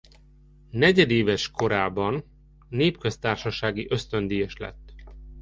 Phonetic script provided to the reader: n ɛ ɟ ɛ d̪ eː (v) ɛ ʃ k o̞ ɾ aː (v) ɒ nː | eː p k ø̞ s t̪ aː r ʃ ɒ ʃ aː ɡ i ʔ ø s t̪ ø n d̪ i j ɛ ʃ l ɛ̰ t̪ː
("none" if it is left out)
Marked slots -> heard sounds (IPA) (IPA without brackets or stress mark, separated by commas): v, b